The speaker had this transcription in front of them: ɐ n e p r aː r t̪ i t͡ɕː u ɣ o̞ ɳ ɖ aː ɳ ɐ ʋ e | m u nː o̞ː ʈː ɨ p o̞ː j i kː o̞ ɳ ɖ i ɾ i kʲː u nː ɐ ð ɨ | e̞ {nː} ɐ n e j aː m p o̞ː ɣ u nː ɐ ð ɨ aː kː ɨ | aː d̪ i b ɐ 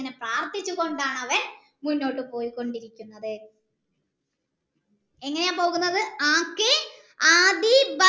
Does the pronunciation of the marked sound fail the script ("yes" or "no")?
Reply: yes